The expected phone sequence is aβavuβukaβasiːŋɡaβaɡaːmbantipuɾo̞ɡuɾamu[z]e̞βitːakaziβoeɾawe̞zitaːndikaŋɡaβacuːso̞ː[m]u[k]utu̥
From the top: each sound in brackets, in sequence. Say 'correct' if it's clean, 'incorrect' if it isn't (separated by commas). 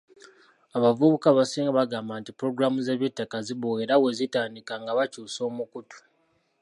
correct, correct, correct